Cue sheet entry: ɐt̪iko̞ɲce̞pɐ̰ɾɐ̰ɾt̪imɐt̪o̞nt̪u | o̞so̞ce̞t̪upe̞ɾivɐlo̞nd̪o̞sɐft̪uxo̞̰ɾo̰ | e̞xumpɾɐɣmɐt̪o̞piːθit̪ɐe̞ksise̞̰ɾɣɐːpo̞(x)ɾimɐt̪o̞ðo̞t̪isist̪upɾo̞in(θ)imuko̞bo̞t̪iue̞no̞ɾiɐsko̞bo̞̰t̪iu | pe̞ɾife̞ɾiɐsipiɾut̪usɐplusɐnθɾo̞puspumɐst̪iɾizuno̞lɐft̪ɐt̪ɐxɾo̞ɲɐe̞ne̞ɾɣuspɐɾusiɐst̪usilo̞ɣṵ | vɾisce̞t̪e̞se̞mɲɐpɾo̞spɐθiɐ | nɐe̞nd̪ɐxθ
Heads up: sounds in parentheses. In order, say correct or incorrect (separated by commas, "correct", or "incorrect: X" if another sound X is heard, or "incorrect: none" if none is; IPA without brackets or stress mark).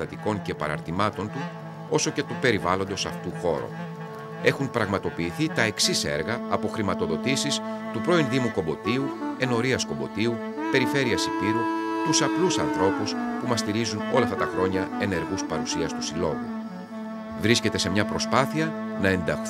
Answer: correct, incorrect: ð